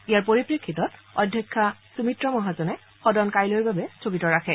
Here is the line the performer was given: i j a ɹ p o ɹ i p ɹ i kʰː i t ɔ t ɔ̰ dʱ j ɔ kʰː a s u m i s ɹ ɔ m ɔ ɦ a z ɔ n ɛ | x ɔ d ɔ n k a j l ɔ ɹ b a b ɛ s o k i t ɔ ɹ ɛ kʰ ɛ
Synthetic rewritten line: i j a ɹ p o ɹ i p ɹ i kʰː i t ɔ t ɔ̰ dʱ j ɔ kʰː a s u m i t ɹ ɔ m ɔ ɦ a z ɔ n ɛ | x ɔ d ɔ n k a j l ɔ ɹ b a b ɛ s o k i t ɔ ɹ a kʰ ɛ

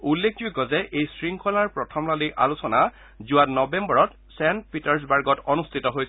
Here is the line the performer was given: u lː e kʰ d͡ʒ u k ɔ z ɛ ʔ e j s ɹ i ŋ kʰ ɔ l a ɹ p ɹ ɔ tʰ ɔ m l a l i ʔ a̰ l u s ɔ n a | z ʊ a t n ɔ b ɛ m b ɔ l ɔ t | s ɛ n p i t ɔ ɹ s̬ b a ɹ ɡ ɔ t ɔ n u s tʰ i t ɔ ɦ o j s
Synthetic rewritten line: u lː e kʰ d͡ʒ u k ɔ z ɛ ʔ e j s ɹ i ŋ kʰ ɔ l a ɹ p ɹ ɔ tʰ ɔ m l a l i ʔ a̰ l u s ɔ n a | z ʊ a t n ɔ b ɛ m b ɔ ɹ ɔ t | s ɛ n p i t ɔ ɹ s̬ b a ɹ ɡ ɔ t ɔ n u s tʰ i t ɔ ɦ o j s

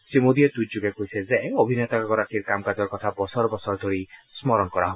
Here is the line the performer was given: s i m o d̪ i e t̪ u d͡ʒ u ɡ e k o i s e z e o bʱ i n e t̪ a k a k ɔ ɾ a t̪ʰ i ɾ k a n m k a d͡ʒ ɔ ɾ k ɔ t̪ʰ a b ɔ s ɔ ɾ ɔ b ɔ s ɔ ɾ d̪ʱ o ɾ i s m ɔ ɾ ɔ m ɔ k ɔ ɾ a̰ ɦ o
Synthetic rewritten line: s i m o d̪ i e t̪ u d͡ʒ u ɡ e k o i s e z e o bʱ i n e t̪ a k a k ɔ ɾ a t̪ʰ i ɾ k a m k a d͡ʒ ɔ ɾ k ɔ t̪ʰ a b ɔ s ɔ ɾ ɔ b ɔ s ɔ ɾ d̪ʱ o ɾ i s m ɔ ɾ ɔ n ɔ k ɔ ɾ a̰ ɦ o

